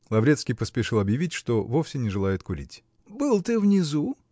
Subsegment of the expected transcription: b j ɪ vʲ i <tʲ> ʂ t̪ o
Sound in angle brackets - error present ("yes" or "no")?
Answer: no